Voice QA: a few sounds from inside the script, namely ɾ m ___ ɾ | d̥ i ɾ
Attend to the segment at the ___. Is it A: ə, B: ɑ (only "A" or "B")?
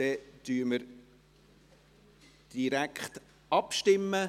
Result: A